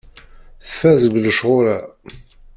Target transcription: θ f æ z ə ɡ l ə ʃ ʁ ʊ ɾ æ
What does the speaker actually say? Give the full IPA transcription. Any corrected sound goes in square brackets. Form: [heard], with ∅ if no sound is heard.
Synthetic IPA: θ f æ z ə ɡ l ə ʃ ʁ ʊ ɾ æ